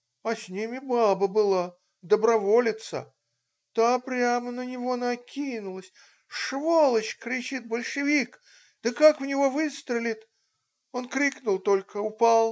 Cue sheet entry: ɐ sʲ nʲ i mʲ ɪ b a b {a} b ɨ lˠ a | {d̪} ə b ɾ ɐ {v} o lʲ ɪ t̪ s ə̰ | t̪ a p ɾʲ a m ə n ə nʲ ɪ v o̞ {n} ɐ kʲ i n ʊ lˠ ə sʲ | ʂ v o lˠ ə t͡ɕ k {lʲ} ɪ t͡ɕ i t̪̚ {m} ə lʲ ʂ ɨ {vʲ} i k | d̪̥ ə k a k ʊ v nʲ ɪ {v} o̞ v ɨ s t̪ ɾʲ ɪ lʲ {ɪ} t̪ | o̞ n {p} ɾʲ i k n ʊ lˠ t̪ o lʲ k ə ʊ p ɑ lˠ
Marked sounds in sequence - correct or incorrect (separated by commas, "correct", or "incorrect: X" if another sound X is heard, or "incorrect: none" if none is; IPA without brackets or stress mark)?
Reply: incorrect: ə, correct, correct, correct, incorrect: ɾʲ, incorrect: b, correct, correct, correct, incorrect: k